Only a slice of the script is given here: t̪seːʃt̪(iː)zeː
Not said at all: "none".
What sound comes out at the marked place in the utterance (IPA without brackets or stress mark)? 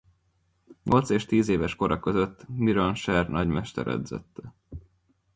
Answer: iː